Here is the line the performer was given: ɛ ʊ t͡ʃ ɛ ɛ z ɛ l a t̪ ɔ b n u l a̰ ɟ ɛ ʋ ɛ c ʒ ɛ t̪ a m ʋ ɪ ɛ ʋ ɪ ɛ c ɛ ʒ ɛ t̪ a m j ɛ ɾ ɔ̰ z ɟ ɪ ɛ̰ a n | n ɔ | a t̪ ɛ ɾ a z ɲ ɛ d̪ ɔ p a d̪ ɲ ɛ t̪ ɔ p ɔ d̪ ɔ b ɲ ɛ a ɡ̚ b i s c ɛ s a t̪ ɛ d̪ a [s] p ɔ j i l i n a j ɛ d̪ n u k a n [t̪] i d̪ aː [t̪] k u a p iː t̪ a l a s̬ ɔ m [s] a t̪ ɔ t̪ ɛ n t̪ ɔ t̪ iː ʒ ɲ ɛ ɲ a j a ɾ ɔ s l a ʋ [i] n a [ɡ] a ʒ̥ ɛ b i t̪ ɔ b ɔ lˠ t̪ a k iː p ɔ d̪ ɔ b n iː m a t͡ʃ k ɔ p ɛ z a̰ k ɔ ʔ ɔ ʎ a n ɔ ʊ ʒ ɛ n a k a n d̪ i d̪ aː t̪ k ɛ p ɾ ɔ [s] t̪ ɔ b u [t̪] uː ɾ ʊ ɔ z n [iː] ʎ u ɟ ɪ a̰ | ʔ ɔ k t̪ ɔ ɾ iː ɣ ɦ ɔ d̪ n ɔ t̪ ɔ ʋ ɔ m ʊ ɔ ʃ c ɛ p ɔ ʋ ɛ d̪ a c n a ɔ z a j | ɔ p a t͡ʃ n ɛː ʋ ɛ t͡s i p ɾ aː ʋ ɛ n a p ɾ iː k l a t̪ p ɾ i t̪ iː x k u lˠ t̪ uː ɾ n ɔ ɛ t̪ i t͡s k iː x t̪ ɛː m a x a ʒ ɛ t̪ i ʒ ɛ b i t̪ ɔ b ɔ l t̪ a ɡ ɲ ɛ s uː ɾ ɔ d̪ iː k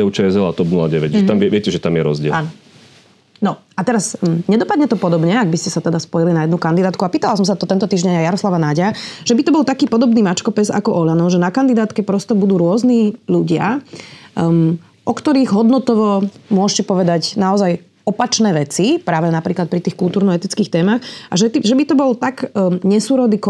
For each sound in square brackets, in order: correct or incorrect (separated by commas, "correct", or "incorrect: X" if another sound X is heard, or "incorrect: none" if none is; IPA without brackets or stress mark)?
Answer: correct, incorrect: d̪, correct, correct, incorrect: a, incorrect: ɟ, correct, incorrect: d̪, correct